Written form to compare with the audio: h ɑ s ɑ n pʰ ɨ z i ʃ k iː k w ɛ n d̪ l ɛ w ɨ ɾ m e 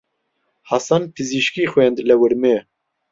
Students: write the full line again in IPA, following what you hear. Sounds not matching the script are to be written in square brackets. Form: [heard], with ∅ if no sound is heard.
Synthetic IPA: h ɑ s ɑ n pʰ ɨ z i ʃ k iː [x] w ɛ n d̪ l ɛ w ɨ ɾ m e